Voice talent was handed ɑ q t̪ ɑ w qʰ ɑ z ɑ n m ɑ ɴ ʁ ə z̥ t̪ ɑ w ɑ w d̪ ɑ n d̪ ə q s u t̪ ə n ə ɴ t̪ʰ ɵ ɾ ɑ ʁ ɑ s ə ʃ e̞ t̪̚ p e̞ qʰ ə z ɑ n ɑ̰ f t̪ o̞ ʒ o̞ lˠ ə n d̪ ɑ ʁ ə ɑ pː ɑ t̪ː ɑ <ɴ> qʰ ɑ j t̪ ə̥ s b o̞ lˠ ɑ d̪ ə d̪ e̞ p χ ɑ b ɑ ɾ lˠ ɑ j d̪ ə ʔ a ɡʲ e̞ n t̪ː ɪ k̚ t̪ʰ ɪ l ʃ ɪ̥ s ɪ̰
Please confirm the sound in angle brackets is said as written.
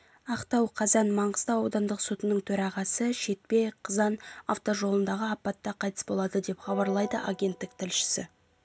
no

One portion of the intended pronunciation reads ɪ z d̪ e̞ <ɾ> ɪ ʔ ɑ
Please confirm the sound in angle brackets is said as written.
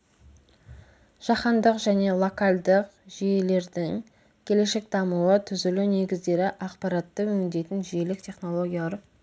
yes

